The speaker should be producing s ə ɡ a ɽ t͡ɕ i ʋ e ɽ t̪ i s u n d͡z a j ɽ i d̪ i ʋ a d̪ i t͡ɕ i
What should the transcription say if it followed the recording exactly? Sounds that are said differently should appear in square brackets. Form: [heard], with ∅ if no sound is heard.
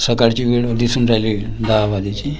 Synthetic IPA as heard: s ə [k] a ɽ t͡ɕ i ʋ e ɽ [d̪] i s u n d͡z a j [l] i d̪ [a] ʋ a d̪ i t͡ɕ i